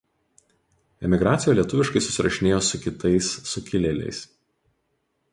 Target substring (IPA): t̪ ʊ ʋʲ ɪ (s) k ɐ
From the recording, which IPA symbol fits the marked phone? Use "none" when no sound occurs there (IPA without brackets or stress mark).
ʃ